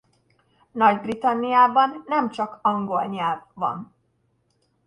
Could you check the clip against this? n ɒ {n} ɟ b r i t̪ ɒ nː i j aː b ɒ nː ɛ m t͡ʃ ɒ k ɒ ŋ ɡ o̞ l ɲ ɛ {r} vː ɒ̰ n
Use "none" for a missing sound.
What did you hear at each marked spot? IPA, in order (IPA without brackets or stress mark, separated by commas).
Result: none, l